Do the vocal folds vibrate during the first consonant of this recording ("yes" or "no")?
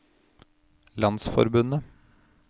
yes